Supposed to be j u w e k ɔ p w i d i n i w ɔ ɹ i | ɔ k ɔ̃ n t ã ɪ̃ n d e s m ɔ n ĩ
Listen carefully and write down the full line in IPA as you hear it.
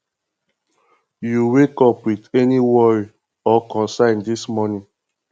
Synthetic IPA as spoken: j u w e k ɔ p w i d ɛ n i w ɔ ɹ i | ɔ k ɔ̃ n s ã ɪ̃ n d i s m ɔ n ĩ